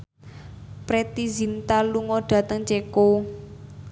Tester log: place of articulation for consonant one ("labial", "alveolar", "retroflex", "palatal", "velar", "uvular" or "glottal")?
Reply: labial